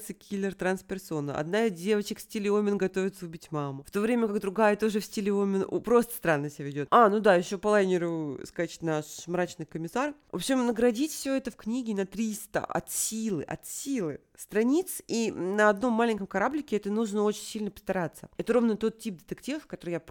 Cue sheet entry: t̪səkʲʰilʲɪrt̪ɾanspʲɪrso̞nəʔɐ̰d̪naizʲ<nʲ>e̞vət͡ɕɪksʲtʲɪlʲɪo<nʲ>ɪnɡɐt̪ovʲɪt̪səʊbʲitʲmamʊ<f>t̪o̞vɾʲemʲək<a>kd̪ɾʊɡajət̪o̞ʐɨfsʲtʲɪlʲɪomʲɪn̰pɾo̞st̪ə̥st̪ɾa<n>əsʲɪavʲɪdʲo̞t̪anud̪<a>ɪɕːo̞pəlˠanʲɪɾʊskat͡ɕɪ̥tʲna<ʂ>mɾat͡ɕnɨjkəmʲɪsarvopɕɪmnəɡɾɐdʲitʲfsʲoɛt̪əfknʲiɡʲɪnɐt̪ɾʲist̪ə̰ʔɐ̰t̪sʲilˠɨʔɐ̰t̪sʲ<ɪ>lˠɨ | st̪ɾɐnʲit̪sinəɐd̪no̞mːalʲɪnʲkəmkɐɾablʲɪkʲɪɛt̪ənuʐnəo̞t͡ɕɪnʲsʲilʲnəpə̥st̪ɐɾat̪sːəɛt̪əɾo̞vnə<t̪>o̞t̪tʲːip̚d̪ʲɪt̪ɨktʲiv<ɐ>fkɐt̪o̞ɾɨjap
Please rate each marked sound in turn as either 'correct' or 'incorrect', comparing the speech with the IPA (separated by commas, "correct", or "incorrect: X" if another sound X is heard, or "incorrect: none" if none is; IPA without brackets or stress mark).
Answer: incorrect: dʲ, incorrect: mʲ, correct, correct, incorrect: nː, correct, correct, incorrect: i, correct, incorrect: ə